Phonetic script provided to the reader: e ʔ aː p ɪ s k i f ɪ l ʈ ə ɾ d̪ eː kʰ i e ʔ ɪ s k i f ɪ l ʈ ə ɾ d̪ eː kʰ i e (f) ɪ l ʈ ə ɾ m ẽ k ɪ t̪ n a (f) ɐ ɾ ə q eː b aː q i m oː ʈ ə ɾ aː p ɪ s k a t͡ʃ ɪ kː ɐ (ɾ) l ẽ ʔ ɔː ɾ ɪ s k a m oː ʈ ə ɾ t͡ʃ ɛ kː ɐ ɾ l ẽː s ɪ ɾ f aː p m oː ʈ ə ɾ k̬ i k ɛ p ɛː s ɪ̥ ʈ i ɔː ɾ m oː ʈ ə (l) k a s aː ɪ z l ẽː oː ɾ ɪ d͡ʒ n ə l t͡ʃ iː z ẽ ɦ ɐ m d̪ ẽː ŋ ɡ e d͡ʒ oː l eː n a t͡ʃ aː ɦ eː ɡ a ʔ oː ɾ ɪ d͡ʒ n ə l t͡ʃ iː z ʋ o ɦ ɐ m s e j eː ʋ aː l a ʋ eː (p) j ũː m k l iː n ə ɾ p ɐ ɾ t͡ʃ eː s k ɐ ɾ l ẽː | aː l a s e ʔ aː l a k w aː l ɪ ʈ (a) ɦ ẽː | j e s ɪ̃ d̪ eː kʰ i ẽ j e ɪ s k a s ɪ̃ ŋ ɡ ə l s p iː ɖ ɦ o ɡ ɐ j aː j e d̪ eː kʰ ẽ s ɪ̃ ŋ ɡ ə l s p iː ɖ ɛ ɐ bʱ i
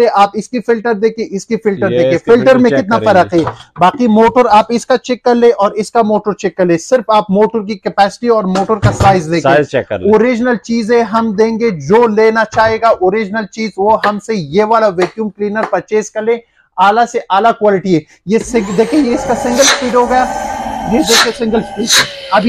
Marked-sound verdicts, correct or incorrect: correct, correct, correct, incorrect: ɾ, incorrect: k, incorrect: i

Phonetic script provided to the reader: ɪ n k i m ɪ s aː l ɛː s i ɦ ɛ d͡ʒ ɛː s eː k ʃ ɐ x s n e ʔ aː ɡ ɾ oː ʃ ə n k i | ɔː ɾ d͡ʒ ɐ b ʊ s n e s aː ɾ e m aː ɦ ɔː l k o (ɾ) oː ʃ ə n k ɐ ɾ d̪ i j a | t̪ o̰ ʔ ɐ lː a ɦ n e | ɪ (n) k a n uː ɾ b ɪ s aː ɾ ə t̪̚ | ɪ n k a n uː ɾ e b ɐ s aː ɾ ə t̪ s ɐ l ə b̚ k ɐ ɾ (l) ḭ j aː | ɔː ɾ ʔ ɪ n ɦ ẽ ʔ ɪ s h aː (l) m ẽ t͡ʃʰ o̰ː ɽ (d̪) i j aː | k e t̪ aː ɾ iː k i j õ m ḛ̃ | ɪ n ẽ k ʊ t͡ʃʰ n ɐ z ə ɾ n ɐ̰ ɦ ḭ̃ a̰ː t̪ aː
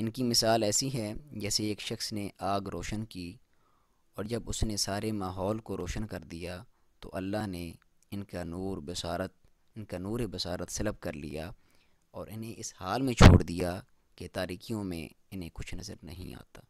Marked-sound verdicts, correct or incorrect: correct, correct, correct, correct, correct

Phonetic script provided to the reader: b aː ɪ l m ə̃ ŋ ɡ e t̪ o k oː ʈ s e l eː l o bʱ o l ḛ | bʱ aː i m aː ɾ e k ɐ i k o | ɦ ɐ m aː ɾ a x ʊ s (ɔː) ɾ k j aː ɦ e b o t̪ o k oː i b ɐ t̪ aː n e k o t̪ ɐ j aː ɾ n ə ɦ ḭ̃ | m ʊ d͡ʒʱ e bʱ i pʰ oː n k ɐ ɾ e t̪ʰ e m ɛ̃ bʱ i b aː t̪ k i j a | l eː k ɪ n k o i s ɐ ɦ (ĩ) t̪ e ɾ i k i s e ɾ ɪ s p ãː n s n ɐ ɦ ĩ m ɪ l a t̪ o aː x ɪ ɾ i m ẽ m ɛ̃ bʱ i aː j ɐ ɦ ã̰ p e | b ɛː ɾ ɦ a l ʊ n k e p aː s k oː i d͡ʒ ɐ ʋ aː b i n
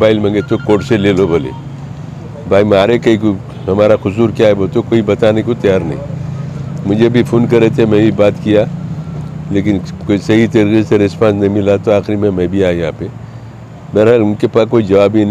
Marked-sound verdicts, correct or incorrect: incorrect: uː, incorrect: i

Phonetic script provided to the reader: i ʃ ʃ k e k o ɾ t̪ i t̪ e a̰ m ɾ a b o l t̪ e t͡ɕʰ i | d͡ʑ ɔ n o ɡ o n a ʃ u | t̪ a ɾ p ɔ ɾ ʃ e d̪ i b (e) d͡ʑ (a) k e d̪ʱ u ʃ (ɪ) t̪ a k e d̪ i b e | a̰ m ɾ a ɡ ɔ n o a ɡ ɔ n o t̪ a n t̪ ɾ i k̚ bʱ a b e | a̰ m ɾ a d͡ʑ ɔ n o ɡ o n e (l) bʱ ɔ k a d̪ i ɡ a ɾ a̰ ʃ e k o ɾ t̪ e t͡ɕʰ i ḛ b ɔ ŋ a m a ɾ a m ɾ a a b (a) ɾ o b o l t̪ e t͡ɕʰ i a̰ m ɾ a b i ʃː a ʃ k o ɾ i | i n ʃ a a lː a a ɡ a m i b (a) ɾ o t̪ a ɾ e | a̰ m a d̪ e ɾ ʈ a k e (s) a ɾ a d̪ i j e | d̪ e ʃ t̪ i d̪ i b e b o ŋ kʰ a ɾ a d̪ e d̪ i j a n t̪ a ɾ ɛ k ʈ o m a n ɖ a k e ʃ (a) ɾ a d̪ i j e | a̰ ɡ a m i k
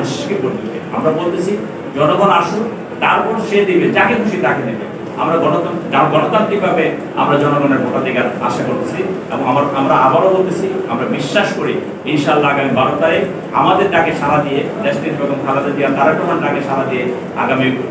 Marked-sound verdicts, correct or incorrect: correct, correct, incorrect: i, incorrect: ɾ, correct, correct, incorrect: ʃ, correct

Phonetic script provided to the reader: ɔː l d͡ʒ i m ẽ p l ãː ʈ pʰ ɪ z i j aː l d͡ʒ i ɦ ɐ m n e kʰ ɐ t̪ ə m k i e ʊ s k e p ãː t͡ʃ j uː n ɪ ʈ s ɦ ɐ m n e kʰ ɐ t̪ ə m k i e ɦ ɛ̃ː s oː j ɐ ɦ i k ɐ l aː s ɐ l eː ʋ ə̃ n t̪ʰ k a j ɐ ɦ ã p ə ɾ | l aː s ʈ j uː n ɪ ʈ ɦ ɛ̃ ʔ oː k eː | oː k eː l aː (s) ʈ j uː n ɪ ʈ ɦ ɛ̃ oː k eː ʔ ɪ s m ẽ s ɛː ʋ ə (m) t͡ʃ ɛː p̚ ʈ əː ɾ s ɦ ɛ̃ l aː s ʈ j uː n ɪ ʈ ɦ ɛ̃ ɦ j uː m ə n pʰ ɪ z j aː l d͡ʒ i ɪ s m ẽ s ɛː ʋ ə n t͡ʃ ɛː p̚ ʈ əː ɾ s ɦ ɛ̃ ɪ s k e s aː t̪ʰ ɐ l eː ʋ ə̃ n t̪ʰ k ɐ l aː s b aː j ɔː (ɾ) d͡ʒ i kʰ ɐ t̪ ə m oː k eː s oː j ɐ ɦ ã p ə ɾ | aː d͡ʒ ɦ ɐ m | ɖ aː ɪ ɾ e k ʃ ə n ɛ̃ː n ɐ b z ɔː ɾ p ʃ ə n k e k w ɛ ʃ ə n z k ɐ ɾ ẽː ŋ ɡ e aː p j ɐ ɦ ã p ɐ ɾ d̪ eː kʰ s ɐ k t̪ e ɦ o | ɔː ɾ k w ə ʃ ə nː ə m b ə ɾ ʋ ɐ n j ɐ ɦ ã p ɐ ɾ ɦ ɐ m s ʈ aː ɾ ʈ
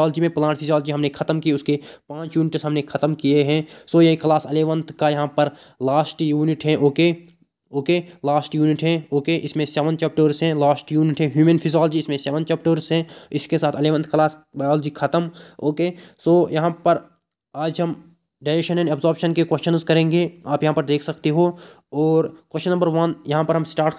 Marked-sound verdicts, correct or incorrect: correct, incorrect: n, incorrect: l

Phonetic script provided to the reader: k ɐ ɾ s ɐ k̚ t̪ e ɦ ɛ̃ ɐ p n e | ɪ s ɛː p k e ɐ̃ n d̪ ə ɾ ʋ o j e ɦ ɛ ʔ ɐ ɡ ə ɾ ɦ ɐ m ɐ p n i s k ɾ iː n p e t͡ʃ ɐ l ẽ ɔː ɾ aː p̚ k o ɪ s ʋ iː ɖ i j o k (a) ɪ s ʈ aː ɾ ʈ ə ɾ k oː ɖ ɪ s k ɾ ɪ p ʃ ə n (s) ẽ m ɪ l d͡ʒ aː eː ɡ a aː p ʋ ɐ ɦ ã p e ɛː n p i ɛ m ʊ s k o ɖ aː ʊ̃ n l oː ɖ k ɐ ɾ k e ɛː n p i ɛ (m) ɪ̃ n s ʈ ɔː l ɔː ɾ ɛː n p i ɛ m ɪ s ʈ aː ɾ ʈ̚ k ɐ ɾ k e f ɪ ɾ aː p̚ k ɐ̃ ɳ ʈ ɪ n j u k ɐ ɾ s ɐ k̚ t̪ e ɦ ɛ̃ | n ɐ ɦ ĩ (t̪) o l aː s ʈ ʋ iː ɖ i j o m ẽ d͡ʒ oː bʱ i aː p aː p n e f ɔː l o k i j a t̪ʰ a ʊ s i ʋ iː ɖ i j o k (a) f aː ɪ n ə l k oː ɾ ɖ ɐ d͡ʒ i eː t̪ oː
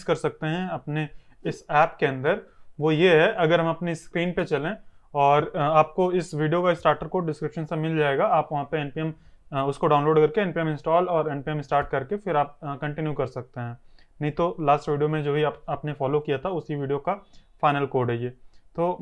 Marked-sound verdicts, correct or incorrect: correct, correct, correct, correct, correct

